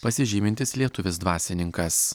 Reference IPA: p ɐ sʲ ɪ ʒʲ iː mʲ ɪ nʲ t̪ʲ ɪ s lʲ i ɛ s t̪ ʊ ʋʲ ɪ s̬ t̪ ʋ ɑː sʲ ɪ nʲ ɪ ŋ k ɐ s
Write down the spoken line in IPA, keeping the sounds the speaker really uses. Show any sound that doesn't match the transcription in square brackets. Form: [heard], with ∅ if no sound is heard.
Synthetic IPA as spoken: p ɐ sʲ ɪ ʒʲ iː mʲ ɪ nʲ t̪ʲ ɪ s lʲ i ɛ [∅] t̪ ʊ ʋʲ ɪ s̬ [d̪] ʋ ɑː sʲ ɪ nʲ ɪ ŋ k ɐ s

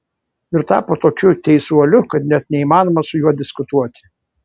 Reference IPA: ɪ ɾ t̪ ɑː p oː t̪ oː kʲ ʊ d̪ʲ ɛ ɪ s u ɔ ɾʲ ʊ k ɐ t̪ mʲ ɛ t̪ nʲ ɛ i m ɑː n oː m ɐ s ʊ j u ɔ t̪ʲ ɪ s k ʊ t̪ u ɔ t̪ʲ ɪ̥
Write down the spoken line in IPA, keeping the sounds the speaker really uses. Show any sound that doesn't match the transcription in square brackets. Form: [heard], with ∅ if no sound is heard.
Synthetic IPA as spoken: ɪ ɾ t̪ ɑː p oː t̪ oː kʲ ʊ [t̪ʲ] ɛ ɪ s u ɔ [lʲ] ʊ k ɐ t̪ [nʲ] ɛ t̪ nʲ ɛ i m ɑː n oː m ɐ s ʊ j u ɔ [d̪ʲ] ɪ s k ʊ t̪ u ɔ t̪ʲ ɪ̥

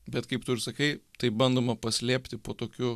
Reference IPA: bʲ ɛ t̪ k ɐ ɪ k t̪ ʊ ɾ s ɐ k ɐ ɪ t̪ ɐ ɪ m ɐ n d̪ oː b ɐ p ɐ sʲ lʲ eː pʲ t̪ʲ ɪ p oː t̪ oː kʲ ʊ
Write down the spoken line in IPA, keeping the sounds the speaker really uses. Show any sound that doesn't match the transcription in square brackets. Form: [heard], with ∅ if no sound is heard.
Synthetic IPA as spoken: bʲ ɛ t̪ k ɐ ɪ [p] t̪ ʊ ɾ s ɐ k ɐ ɪ t̪ ɐ ɪ [b] ɐ n d̪ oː [m] ɐ p ɐ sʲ lʲ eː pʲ t̪ʲ ɪ p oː t̪ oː kʲ ʊ

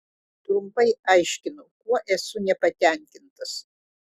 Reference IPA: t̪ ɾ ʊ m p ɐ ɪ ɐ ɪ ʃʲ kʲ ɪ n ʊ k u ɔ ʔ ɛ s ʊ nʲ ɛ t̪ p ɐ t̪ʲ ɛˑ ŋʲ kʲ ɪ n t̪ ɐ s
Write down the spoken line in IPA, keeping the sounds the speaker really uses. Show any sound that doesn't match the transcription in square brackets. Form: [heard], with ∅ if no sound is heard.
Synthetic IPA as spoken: t̪ ɾ ʊ m p ɐ ɪ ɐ ɪ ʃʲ kʲ ɪ n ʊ k u ɔ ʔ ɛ s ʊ nʲ ɛ [∅] p ɐ t̪ʲ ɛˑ ŋʲ kʲ ɪ n t̪ ɐ s

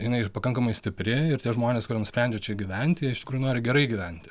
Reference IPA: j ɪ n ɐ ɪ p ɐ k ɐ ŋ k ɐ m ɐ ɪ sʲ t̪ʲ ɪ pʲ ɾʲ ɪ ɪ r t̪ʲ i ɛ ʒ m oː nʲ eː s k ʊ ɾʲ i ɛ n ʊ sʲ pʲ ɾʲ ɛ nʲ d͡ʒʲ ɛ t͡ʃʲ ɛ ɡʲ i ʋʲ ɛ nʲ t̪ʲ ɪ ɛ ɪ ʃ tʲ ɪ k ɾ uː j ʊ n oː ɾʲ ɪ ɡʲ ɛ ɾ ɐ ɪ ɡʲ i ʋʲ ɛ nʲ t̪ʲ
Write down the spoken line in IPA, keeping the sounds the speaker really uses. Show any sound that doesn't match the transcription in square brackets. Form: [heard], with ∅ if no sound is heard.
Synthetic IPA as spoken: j ɪ n ɐ ɪ p ɐ k ɐ ŋ k ɐ m ɐ ɪ sʲ t̪ʲ ɪ pʲ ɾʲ ɪ ɪ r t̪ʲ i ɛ ʒ m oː nʲ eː s k ʊ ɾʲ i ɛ n ʊ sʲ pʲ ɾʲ ɛ nʲ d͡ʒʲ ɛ t͡ʃʲ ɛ ɡʲ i ʋʲ ɛ nʲ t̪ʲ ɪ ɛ ɪ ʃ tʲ ɪ k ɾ uː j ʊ n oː ɾʲ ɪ ɡʲ ɛ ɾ ɐ ɪ ɡʲ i ʋʲ ɛ nʲ t̪ʲ

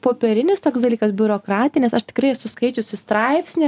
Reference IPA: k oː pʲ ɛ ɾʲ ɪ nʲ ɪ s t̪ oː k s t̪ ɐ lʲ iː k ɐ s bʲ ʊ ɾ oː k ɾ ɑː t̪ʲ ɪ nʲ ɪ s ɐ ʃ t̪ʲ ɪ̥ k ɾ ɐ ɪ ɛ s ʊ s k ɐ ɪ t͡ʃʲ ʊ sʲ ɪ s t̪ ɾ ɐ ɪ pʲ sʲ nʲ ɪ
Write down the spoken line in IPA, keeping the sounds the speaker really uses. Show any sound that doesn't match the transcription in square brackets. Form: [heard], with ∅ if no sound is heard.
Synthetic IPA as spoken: [p] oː pʲ ɛ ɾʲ ɪ nʲ ɪ s t̪ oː k s [d̪] ɐ lʲ iː k ɐ s bʲ ʊ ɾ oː k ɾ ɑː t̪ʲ ɪ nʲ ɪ s ɐ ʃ t̪ʲ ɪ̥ k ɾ ɐ ɪ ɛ s ʊ s k ɐ ɪ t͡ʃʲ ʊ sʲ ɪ s t̪ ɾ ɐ ɪ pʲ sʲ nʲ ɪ

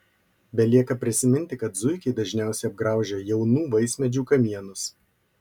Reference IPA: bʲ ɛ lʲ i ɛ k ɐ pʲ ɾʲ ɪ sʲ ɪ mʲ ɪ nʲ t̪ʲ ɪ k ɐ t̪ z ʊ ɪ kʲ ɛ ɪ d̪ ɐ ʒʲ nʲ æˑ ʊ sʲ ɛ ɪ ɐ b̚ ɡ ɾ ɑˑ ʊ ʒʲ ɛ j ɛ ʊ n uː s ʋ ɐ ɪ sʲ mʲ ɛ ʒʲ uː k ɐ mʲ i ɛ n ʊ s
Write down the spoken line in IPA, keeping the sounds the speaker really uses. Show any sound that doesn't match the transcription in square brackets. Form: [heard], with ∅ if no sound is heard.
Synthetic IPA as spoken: bʲ ɛ lʲ i ɛ k ɐ pʲ ɾʲ ɪ sʲ ɪ mʲ ɪ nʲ t̪ʲ ɪ k ɐ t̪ z ʊ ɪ kʲ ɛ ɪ d̪ ɐ ʒʲ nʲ æˑ ʊ sʲ ɛ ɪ ɐ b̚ ɡ ɾ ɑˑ ʊ ʒʲ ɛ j ɛ ʊ n uː [∅] ʋ ɐ ɪ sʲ mʲ ɛ [d͡ʒʲ] uː k ɐ mʲ i ɛ n ʊ s

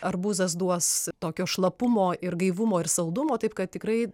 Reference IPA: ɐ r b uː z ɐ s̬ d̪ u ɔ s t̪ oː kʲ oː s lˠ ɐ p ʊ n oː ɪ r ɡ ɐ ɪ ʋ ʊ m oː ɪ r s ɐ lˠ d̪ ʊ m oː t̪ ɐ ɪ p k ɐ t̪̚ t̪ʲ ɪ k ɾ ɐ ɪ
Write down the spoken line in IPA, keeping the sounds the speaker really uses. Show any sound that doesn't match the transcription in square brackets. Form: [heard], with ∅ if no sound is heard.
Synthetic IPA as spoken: ɐ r b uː z ɐ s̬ d̪ u ɔ s t̪ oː kʲ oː [ʃ] lˠ ɐ p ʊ [m] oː ɪ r ɡ ɐ ɪ ʋ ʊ m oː ɪ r s ɐ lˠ d̪ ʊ m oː t̪ ɐ ɪ p k ɐ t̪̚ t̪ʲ ɪ k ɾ ɐ ɪ

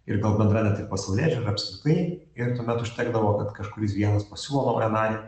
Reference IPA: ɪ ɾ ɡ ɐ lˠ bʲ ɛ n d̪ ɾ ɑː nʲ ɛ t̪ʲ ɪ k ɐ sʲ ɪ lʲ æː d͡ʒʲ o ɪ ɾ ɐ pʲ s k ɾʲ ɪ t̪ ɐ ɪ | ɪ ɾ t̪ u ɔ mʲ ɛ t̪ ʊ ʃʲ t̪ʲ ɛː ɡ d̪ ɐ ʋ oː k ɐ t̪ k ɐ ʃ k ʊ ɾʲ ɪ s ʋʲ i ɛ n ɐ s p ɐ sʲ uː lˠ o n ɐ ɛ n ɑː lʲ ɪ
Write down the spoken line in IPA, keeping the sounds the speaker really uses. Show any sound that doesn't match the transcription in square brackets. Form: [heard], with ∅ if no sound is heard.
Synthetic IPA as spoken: ɪ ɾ ɡ ɐ lˠ bʲ ɛ n d̪ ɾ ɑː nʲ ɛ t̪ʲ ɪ [p] ɐ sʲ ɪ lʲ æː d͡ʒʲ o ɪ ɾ ɐ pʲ s k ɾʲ ɪ t̪ ɐ ɪ | ɪ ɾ t̪ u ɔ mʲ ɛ t̪ ʊ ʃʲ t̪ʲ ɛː ɡ d̪ ɐ ʋ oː k ɐ t̪ k ɐ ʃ k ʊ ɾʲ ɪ s ʋʲ i ɛ n ɐ s p ɐ sʲ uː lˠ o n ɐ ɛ n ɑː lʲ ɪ

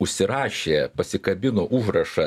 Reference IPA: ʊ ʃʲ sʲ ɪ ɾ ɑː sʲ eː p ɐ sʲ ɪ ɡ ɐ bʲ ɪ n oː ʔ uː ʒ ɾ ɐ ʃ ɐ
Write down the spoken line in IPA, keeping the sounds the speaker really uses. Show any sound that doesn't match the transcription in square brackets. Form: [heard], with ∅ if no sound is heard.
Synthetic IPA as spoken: ʊ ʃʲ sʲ ɪ ɾ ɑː [ʃʲ] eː p ɐ sʲ ɪ [k] ɐ bʲ ɪ n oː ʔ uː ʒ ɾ ɐ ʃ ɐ

